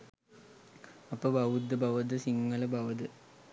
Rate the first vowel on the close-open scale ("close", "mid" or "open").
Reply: open